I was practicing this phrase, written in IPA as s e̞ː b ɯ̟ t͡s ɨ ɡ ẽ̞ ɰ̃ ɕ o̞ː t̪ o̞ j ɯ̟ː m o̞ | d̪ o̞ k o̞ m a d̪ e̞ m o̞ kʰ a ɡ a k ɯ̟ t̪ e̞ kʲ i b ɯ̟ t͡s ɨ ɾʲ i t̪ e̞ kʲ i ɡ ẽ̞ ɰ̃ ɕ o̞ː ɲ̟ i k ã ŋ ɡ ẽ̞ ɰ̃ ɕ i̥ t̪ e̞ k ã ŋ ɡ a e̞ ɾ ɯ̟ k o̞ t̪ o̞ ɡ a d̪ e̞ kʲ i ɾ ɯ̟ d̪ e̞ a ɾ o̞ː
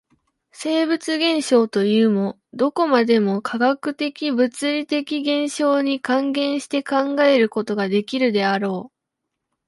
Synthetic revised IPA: s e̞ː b ɯ̟ t͡s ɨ ɡ ẽ̞ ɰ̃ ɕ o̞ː t̪ o̞ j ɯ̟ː m o̞ | d̪ o̞ k o̞ m a d̪ e̞ m o̞ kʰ a ɡ a k ɯ̟ t̪ e̞ kʲ i b ɯ̟ t͡s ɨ ɾʲ i t̪ e̞ kʲ i ɡ ẽ̞ ɰ̃ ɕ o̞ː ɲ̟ i k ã ŋ ɡ ẽ̞ ɰ̃ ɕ i̥ t̪ e̞ k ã ŋ ɡ a e̞ ɾ ɯ̟ k o̞ t̪ o̞ ɡ a d̪ e̞ kʲ i ɾ ɯ̟ d̪ e̞ a ɾ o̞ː